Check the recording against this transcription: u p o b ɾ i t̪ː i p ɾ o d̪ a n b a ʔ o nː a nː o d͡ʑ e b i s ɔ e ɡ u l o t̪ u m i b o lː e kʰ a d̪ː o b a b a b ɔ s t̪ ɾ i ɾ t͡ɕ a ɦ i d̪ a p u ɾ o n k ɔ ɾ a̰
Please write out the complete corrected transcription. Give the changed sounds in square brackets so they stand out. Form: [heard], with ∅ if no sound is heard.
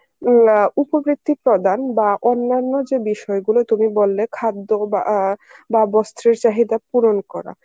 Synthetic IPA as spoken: u p o b ɾ i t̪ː i p ɾ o d̪ a n b a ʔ o nː a nː o d͡ʑ e b i [ʃ] ɔ e ɡ u l o t̪ u m i b o lː e kʰ a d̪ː o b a b a b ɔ s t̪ ɾ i ɾ t͡ɕ a ɦ i d̪ a p u ɾ o n k ɔ ɾ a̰